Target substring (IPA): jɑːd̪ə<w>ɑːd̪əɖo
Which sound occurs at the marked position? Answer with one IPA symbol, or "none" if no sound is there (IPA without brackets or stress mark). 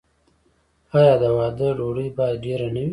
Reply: w